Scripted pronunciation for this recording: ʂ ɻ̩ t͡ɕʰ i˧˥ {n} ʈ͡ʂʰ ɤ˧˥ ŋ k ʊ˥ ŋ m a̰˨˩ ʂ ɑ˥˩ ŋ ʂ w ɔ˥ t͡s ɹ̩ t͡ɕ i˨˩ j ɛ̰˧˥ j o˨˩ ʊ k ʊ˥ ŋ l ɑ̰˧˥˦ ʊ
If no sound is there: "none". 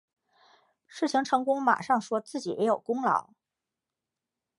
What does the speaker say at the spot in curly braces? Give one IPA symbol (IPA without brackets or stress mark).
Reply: ŋ